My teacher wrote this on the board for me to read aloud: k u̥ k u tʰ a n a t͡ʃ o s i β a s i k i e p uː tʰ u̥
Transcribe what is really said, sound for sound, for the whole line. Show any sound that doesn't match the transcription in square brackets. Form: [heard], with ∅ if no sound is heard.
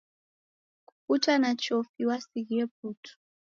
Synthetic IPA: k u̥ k u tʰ a n a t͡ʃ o [f] i [w] a s i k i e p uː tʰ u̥